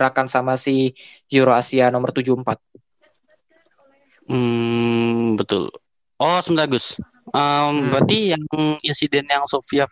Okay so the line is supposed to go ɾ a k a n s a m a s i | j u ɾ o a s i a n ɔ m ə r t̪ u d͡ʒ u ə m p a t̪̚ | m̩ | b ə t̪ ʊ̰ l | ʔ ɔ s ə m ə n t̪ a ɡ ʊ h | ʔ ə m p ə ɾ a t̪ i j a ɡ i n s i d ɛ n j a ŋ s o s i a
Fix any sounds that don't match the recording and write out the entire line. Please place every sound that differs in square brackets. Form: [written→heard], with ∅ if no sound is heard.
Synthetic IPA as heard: ɾ a k a n s a m a s i | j u ɾ o a s i a n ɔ m ə r t̪ u d͡ʒ u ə m p a t̪̚ | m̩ | b ə t̪ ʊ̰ l | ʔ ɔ s ə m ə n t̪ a ɡ ʊ [h→s] | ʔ ə m [p→b] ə ɾ a t̪ i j a [ɡ→ŋ] i n s i d ɛ n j a ŋ s o [s→f] i a